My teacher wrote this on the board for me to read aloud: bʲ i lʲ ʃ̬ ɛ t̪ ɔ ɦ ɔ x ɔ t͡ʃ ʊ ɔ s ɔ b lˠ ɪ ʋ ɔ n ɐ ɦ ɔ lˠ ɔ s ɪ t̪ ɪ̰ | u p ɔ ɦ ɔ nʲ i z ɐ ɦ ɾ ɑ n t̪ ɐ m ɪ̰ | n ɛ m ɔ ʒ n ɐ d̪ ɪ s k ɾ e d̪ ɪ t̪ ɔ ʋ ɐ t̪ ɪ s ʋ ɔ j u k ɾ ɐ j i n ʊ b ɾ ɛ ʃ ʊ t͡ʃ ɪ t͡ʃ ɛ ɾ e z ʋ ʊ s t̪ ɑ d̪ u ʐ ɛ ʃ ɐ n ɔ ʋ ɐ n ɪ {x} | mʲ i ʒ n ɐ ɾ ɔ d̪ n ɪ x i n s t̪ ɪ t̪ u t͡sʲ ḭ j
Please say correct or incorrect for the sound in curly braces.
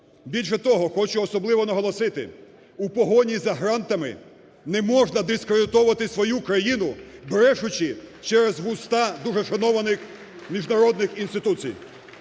correct